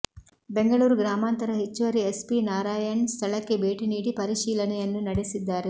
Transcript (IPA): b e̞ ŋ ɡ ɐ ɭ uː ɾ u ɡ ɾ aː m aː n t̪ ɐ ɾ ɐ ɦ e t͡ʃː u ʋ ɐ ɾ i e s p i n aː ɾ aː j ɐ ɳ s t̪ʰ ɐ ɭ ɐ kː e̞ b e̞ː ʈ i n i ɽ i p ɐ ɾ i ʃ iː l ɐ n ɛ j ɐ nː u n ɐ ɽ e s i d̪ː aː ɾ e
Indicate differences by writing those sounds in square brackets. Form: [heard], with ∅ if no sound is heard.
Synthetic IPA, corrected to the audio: b e̞ ŋ ɡ ɐ ɭ uː ɾ u ɡ ɾ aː m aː n t̪ ɐ ɾ ɐ ɦ e t͡ʃː u ʋ ɐ ɾ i e s p i n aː ɾ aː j ɐ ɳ s t̪ʰ ɐ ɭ ɐ kː e̞ b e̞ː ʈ i n [iː] ɽ i p ɐ ɾ i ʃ iː l ɐ n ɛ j ɐ nː u n ɐ ɽ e s i d̪ː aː ɾ e